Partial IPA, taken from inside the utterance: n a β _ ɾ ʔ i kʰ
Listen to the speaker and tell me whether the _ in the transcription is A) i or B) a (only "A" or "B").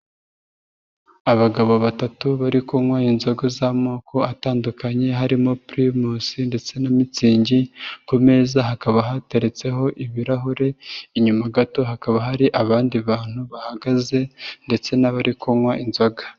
B